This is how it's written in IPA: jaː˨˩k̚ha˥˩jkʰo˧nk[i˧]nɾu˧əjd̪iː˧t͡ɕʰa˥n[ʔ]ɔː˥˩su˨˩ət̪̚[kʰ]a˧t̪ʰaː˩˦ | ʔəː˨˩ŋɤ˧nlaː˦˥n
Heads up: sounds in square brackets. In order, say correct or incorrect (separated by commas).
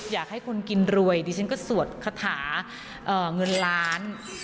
correct, incorrect, correct